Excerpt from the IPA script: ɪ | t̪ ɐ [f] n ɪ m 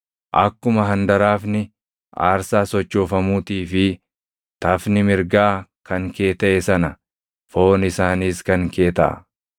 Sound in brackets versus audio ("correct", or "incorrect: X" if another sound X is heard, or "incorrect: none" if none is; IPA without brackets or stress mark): correct